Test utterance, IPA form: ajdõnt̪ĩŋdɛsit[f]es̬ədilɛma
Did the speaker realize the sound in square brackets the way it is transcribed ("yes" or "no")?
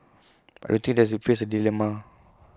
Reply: yes